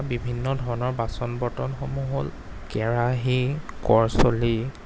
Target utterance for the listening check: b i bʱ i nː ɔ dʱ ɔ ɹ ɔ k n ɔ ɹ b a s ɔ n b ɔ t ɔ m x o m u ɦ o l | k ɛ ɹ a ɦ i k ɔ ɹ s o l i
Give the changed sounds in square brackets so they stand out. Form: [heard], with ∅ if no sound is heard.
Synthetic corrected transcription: b i bʱ i nː ɔ dʱ ɔ ɹ ɔ [∅] n ɔ ɹ b a s ɔ n b ɔ t ɔ [n] x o m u ɦ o l | k ɛ ɹ a ɦ i k ɔ ɹ s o l i